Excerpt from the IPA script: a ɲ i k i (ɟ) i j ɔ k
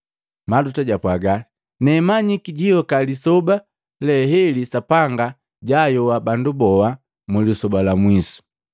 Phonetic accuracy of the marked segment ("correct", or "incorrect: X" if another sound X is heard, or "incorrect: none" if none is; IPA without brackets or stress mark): correct